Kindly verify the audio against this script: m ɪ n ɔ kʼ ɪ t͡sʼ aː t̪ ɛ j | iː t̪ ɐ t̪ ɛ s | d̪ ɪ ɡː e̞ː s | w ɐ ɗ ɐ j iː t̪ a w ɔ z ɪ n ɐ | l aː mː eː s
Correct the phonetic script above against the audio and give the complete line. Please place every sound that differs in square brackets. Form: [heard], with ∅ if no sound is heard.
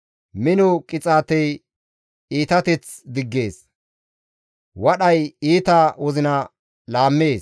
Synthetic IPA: m ɪ n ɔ kʼ ɪ t͡sʼ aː t̪ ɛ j | iː t̪ ɐ t̪ ɛ [t͡s] | d̪ ɪ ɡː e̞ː s | w ɐ ɗ ɐ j iː t̪ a w ɔ z ɪ n ɐ | l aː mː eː s